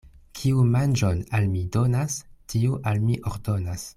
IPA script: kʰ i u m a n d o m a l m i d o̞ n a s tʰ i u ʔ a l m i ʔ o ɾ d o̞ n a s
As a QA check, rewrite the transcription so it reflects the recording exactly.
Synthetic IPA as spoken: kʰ i u m a n d͡ʒ o n a l m i d o̞ n a s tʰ i u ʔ a l m i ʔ o ɾ d o̞ n a s